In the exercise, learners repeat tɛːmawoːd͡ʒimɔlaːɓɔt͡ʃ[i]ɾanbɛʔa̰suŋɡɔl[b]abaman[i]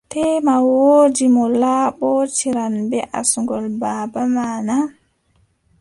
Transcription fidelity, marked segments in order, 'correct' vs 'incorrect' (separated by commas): correct, correct, incorrect